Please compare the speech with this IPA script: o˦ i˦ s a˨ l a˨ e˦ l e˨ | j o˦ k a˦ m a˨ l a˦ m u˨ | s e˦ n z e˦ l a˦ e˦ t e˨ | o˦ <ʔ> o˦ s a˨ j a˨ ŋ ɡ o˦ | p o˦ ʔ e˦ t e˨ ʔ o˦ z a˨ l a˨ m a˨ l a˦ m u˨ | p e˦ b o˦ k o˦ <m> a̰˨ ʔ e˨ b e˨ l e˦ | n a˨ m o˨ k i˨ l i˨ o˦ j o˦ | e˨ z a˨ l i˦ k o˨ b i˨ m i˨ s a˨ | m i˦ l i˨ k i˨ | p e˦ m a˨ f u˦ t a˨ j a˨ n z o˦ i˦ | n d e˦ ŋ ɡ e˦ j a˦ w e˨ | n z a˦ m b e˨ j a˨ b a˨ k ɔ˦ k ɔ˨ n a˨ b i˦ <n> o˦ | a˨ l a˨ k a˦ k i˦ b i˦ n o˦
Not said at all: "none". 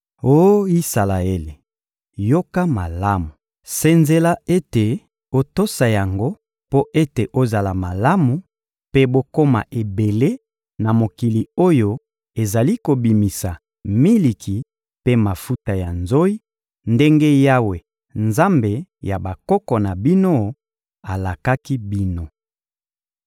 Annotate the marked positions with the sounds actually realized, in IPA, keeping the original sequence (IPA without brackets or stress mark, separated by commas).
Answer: t, m, n